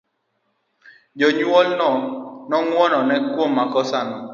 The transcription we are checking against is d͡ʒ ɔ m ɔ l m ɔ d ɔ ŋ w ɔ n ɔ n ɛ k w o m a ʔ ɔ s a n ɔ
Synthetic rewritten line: d͡ʒ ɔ ɲ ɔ l n ɔ n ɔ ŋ w ɔ n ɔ n ɛ k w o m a k ɔ s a n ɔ